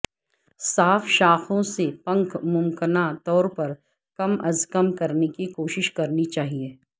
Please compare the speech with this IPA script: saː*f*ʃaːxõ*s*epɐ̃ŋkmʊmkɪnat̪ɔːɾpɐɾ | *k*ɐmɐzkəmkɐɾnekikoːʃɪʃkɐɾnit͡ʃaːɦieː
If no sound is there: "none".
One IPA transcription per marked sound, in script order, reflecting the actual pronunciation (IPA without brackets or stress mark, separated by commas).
f, s, k